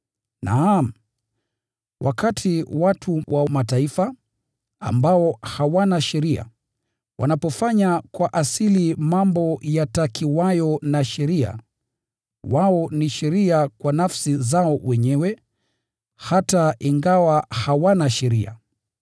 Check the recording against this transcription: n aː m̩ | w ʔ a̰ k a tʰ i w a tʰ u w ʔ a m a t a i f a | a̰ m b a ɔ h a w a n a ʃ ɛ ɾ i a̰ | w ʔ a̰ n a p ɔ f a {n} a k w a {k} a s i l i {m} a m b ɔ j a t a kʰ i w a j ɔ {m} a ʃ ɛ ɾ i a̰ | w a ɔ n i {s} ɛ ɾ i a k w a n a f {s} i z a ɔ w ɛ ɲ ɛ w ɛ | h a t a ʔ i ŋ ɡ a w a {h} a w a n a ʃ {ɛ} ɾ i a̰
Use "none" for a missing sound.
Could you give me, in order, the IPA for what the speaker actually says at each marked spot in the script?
ɲ, ʔ, m, n, ʃ, s, h, ɛ

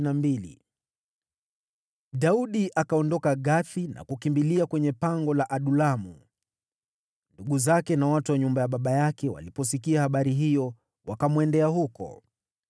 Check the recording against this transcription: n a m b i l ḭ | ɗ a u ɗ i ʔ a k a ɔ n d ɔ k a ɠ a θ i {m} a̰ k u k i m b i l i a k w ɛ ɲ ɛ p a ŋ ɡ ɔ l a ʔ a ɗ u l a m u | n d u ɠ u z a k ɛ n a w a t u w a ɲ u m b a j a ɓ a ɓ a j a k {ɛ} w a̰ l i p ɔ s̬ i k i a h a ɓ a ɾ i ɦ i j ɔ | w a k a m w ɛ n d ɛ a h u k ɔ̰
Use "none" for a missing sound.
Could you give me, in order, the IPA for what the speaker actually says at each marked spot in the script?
n, ɛ

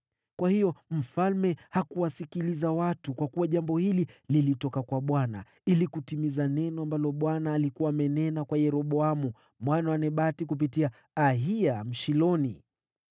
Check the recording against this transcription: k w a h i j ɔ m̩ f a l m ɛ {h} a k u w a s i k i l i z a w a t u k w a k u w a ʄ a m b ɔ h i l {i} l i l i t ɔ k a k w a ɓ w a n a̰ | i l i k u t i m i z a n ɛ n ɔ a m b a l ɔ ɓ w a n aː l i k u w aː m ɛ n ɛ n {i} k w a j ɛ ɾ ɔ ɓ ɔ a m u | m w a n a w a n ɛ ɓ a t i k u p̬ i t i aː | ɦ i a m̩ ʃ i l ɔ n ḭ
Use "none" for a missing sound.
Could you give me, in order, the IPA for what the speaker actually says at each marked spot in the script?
h, i, a

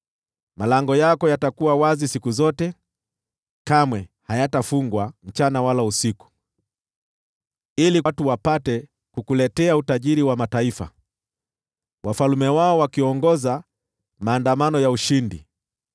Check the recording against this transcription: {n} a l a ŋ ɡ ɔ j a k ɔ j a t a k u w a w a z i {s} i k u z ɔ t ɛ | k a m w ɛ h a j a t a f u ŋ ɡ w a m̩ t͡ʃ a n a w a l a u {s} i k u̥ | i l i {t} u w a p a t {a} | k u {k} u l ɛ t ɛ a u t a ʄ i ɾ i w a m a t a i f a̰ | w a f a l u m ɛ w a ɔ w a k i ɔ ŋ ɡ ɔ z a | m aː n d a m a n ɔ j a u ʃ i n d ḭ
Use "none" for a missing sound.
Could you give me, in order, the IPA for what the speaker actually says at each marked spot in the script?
m, s, s, t, ɛ, k

